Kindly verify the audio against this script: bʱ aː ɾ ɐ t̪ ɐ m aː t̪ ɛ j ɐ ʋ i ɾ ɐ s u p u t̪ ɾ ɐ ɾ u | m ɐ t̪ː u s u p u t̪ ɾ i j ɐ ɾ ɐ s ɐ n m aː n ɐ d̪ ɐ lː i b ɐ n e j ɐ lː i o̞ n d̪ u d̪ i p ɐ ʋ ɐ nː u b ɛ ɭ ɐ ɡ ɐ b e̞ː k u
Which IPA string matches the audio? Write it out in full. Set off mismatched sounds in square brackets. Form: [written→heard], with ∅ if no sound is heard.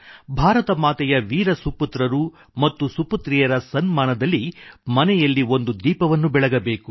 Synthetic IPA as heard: bʱ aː ɾ ɐ t̪ ɐ m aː t̪ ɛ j ɐ ʋ [i→iː] ɾ ɐ s u p u t̪ ɾ ɐ ɾ u | m ɐ t̪ː u s u p u t̪ ɾ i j ɐ ɾ ɐ s ɐ n m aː n ɐ d̪ ɐ lː i [b→m] ɐ n [e→ɛ] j ɐ lː i o̞ n d̪ u d̪ [i→iː] p ɐ ʋ ɐ nː u b ɛ ɭ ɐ ɡ ɐ b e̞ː k u